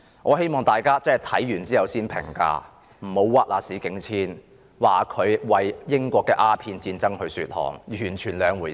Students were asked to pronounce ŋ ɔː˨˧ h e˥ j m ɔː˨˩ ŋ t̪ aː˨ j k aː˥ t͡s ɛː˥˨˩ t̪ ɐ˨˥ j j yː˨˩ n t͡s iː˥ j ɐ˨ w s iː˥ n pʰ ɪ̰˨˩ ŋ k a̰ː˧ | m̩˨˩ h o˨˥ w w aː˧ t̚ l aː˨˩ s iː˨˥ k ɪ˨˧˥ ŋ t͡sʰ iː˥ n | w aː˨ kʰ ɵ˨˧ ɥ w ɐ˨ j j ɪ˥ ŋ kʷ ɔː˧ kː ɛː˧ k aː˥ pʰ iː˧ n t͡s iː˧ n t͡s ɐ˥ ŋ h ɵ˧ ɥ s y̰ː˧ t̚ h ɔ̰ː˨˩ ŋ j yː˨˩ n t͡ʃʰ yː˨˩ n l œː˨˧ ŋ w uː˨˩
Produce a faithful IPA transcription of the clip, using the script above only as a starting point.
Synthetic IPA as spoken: ŋ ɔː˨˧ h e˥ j m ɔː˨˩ ŋ t̪ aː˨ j k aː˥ t͡s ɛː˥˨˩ t̪ʰ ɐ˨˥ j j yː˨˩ n t͡s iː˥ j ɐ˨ w s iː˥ n pʰ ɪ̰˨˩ ŋ k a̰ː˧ | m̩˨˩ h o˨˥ w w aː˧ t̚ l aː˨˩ s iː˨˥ k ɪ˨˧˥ ŋ t͡sʰ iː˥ n | w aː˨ kʰ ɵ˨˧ ɥ w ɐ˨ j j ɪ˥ ŋ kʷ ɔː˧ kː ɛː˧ ʔ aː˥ pʰ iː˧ n t͡s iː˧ n t͡s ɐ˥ ŋ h ɵ˧ ɥ s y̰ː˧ t̚ h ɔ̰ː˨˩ ŋ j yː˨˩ n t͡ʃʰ yː˨˩ n l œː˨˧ ŋ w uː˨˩